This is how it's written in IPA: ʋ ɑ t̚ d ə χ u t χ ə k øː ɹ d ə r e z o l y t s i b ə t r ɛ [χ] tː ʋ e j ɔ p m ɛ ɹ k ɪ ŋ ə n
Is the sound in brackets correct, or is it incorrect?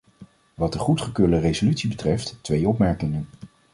incorrect: f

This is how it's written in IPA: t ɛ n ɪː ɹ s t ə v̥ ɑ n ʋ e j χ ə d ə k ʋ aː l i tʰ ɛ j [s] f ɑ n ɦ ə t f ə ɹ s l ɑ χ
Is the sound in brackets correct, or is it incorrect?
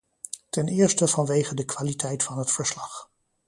incorrect: t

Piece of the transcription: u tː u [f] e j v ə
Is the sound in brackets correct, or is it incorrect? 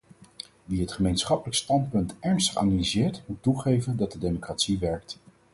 incorrect: χ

